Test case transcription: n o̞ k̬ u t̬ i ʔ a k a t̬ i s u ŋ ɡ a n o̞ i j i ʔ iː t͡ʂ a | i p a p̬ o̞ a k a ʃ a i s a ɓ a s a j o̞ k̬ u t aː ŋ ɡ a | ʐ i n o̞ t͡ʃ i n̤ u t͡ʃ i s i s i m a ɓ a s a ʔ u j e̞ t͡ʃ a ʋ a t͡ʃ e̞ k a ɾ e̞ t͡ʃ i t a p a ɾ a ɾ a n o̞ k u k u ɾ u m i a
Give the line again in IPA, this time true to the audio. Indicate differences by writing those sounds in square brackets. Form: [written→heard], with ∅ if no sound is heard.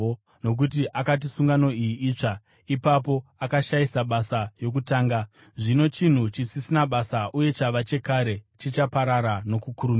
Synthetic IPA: n o̞ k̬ u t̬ i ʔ a k a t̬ i s u ŋ ɡ a n o̞ i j i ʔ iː t͡ʂ a | i p a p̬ o̞ a k a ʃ a i s a ɓ a s a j o̞ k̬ u t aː ŋ ɡ a | ʐ i n o̞ t͡ʃ i n̤ u t͡ʃ i s i s i [m→n] a ɓ a s a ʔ u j e̞ t͡ʃ a ʋ a t͡ʃ e̞ k a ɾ e̞ t͡ʃ i [t→t͡ʃ] a p a ɾ a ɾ a n o̞ k u k u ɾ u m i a